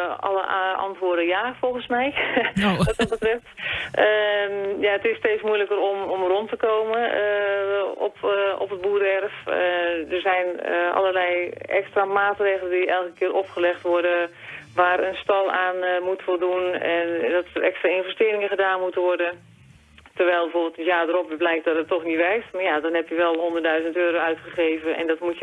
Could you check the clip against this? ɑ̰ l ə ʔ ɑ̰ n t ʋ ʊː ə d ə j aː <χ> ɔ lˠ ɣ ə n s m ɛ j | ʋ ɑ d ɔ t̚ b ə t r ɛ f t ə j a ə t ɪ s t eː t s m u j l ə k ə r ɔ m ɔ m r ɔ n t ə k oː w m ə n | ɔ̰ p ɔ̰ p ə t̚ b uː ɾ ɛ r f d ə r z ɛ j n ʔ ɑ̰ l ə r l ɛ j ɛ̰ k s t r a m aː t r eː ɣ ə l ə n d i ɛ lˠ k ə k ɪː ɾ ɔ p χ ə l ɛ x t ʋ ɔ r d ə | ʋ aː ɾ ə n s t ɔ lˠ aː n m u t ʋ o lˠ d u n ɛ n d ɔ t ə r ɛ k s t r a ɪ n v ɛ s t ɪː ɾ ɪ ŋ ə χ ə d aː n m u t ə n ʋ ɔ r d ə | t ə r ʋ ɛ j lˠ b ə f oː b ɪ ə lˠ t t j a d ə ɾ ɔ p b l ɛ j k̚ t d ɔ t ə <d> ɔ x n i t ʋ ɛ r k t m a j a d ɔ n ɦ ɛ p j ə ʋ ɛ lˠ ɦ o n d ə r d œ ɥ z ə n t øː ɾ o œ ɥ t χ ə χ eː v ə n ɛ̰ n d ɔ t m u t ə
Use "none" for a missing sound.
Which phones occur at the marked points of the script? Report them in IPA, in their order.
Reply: f, t

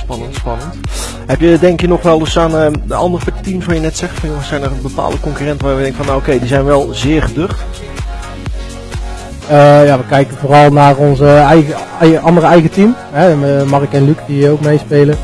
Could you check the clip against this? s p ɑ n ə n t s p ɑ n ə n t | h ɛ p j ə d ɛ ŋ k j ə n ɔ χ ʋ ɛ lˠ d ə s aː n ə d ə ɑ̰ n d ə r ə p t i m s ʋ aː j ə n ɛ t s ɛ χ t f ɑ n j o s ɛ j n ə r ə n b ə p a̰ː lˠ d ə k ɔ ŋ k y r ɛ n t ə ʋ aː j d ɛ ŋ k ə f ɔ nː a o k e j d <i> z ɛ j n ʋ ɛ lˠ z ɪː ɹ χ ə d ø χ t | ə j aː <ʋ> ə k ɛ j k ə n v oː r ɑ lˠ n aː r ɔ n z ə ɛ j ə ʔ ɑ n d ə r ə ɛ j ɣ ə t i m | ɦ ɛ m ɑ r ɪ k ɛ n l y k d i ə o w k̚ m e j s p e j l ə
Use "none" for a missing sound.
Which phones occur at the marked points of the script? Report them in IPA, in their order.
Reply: i, ʋ

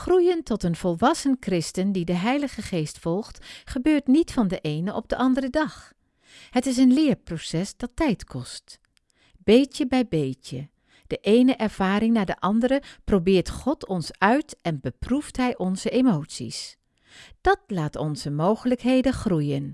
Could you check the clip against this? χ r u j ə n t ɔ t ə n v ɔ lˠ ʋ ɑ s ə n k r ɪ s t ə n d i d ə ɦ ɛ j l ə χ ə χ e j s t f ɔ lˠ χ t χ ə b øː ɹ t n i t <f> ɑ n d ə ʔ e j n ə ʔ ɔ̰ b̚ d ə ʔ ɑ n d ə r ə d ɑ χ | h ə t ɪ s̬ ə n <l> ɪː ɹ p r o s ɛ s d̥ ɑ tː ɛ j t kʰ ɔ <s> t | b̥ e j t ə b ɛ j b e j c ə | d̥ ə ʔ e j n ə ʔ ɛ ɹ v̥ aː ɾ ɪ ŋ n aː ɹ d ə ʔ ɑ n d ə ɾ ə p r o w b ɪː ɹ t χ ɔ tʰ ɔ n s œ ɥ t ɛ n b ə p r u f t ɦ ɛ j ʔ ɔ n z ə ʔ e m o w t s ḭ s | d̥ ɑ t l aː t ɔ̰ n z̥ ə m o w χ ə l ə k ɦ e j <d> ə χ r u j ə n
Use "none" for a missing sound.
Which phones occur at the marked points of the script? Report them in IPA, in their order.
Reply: f, l, s, d

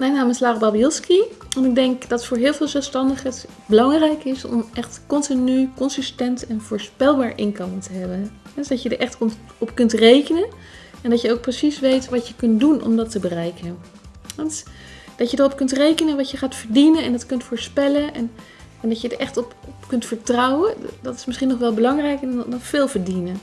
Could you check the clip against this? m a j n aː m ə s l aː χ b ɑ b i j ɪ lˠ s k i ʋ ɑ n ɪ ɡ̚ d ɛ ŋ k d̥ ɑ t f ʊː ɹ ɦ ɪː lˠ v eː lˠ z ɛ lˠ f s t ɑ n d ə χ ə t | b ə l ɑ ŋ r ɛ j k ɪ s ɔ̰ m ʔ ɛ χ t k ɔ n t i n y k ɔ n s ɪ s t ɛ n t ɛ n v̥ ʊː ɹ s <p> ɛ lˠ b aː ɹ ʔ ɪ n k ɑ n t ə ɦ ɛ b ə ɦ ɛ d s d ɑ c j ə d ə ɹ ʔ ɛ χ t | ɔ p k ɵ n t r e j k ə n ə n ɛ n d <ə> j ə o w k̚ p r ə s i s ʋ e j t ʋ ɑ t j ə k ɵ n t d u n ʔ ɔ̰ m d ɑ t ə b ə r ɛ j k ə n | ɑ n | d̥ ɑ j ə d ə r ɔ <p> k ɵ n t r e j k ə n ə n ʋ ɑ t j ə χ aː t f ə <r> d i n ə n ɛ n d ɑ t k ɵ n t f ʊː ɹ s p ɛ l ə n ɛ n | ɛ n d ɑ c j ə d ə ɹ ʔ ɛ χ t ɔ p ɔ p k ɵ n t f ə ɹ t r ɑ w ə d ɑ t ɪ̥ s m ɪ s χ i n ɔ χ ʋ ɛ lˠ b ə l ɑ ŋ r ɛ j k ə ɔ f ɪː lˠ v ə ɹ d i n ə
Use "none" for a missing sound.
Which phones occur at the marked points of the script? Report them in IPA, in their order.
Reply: p, ɑ, p, ɹ

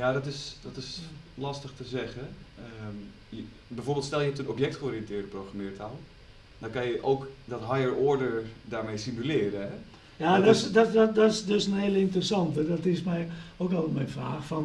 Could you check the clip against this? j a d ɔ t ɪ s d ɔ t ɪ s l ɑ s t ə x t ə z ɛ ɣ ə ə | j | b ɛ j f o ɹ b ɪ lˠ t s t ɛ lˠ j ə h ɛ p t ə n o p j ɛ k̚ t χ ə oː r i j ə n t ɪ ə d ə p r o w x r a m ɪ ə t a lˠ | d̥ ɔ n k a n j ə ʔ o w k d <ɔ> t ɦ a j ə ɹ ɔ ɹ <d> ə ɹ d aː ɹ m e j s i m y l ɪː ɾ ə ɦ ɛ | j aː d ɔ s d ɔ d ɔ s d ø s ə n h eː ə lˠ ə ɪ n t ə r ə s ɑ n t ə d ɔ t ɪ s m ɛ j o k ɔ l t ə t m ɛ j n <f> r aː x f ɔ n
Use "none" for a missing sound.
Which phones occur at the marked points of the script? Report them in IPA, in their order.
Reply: ɔ, d, f

